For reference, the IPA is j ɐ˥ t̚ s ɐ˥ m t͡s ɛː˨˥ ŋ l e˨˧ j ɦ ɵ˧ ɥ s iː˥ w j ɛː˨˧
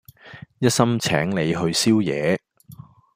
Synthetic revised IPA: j ɐ˥ t̚ s ɐ˥ m t͡sʰ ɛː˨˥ ŋ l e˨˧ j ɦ ɵ˧ ɥ s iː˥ w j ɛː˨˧

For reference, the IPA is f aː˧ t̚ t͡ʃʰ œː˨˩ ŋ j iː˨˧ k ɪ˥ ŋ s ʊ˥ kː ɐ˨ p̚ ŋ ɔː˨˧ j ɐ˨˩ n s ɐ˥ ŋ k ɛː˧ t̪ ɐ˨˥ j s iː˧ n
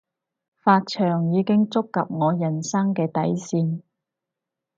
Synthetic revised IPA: f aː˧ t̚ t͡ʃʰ œː˨˩ ŋ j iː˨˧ k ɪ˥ ŋ t͡s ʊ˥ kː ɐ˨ p̚ ŋ ɔː˨˧ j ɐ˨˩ n s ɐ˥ ŋ k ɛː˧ t̪ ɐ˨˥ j s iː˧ n

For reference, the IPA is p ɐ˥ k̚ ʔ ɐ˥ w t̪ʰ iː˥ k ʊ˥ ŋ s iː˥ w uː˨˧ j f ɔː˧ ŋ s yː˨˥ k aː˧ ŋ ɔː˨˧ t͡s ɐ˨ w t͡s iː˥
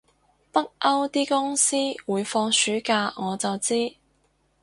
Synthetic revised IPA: p ɐ˥ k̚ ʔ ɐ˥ w t̪ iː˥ k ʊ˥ ŋ s iː˥ w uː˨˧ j f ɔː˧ ŋ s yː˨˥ k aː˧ ŋ ɔː˨˧ t͡s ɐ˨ w t͡s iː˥

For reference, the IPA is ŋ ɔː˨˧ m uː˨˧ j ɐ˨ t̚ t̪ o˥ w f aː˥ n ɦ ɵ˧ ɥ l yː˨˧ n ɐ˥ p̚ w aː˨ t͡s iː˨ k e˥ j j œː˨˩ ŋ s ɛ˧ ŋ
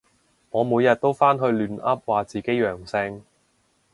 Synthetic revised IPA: ŋ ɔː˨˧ m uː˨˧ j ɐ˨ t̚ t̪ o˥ w f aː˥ n ɦ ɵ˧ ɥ l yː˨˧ n ɐ˥ p̚ w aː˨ t͡s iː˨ k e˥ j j œː˨˩ ŋ s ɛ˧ ŋ

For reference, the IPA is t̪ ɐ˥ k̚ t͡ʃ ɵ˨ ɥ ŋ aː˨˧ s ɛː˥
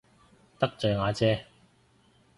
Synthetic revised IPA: t̪ ɐ˥ k̚ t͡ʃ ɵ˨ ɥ ŋ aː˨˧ t͡s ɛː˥

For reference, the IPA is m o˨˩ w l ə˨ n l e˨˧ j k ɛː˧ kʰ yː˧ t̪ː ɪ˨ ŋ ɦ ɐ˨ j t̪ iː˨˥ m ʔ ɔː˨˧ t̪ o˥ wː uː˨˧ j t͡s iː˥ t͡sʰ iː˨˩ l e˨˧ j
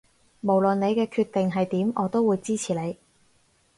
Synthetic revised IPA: m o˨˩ w l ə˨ n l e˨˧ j k ɛː˧ kʰ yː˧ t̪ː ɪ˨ ŋ ɦ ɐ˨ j t̪ iː˨˥ m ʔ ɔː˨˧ t̪ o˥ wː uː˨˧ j t͡s iː˥ t͡sʰ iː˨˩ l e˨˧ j

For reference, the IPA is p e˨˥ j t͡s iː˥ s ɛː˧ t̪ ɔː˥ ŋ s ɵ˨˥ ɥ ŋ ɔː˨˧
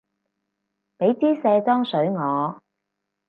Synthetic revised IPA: p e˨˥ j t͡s iː˥ s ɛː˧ t̪ ɔː˥ ŋ s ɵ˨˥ ɥ ŋ ɔː˨˧

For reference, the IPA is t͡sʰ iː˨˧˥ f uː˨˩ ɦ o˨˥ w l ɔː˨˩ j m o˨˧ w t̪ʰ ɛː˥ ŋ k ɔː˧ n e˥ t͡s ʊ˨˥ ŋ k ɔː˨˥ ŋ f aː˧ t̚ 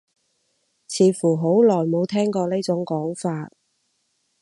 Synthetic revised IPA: t͡sʰ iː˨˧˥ f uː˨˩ ɦ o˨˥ w l ɔː˨˩ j m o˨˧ w t̪ʰ ɛː˥ ŋ k ɔː˧ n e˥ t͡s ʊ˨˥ ŋ k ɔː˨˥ ŋ f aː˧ t̚

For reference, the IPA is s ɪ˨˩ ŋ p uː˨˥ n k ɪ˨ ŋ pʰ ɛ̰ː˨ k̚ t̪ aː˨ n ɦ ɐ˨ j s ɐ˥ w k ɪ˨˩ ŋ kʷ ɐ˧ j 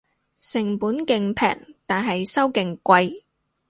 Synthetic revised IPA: s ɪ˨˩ ŋ p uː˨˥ n k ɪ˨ ŋ pʰ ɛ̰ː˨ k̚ t̪ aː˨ n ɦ ɐ˨ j s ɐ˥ w k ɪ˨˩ ŋ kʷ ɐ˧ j

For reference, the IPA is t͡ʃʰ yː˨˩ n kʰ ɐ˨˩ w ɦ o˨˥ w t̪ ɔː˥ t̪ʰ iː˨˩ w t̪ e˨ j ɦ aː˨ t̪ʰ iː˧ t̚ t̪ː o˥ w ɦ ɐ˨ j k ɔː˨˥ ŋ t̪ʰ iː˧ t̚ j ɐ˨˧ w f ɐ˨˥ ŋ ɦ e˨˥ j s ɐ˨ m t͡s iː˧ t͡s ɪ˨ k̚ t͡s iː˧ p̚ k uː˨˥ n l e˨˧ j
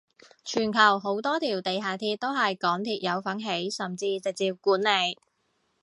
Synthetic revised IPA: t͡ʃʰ yː˨˩ n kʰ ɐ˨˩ w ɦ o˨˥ w t̪ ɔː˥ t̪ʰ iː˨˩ w t̪ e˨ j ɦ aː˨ t̪ʰ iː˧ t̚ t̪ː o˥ w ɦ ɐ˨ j k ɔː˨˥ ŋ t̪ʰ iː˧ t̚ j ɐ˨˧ w f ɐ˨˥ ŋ ɦ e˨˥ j s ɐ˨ m t͡s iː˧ t͡s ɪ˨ k̚ t͡s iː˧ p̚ k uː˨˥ n l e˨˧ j

